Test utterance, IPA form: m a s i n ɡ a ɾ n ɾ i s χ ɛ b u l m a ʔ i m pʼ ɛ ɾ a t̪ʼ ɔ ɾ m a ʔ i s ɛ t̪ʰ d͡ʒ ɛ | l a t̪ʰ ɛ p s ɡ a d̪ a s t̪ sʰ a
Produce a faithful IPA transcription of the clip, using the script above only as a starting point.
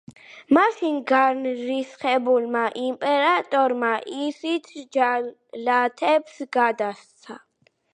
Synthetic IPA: m a ʃ i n ɡ a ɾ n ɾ i s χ ɛ b u l m a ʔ i m pʼ ɛ ɾ a t̪ʼ ɔ ɾ m a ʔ i s i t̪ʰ d͡ʒ a | l a t̪ʰ ɛ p s ɡ a d̪ a s t̪ sʰ a